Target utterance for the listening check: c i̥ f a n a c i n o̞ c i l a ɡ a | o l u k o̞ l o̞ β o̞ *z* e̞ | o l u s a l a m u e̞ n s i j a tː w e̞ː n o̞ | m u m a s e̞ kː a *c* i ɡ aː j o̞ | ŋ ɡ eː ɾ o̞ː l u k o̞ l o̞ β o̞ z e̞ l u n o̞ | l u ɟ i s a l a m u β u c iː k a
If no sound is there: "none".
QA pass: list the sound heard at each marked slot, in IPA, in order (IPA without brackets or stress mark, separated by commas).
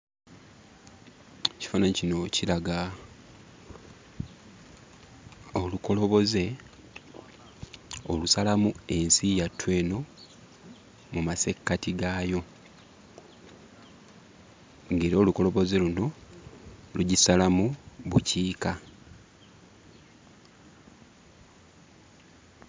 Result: z, t